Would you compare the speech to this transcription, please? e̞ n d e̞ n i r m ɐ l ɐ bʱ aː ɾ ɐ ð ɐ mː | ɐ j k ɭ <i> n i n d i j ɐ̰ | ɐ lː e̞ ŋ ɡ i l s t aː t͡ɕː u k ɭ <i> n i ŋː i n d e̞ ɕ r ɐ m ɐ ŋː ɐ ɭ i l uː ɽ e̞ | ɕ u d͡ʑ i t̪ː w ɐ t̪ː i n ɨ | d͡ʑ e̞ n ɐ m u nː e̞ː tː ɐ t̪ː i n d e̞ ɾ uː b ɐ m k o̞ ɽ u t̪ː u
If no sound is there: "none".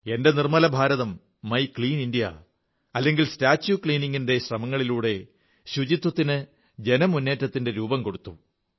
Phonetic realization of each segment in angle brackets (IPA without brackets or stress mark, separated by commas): iː, iː